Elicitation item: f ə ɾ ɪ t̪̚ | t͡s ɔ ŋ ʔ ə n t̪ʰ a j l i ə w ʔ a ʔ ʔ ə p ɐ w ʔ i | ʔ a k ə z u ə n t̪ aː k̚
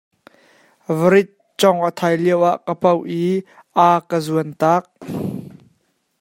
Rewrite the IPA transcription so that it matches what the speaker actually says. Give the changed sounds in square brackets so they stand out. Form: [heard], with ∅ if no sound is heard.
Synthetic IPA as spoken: [v] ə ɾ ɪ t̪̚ | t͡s ɔ ŋ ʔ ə [∅] t̪ʰ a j l i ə w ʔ a ʔ [k] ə p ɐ w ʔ i | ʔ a k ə z u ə n t̪ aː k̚